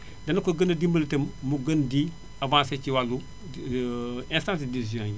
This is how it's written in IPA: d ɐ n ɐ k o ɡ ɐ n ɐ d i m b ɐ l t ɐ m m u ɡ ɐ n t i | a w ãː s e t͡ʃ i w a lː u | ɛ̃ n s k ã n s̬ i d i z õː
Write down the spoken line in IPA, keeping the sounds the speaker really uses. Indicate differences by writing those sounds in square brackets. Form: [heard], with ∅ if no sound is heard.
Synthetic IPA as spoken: d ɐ n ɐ k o ɡ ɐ n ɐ d i m b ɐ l t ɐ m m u ɡ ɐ n [d] i | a [v] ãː s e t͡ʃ i w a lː u | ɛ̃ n s [t] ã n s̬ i d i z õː